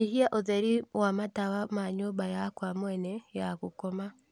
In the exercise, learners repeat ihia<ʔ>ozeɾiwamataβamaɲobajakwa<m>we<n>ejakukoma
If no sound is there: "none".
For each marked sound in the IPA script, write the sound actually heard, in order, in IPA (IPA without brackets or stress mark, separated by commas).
ʔ, m, n